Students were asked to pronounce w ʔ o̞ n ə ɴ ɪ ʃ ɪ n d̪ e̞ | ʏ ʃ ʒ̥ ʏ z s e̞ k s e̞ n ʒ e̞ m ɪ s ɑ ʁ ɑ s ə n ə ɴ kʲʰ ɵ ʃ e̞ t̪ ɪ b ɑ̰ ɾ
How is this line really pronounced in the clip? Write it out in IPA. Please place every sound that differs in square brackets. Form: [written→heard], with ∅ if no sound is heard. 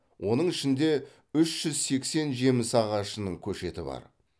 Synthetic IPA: w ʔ o̞ n ə ɴ ɪ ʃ ɪ n d̪ e̞ | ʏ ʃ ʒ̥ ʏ z s e̞ k s e̞ n ʒ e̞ m ɪ s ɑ ʁ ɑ [s→ʃ] ə n ə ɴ kʲʰ ɵ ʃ e̞ t̪ ɪ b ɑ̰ ɾ